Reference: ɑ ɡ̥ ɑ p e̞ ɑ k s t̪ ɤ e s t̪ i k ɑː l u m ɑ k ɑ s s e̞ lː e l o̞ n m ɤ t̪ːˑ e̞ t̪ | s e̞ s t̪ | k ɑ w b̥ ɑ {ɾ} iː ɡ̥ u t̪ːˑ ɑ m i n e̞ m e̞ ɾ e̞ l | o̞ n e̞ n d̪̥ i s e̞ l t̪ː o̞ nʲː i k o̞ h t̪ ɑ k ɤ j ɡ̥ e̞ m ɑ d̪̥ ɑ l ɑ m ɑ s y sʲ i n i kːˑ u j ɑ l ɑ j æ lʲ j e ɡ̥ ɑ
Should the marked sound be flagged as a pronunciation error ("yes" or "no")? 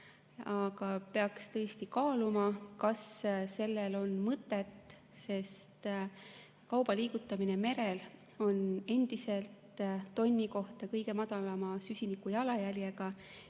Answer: yes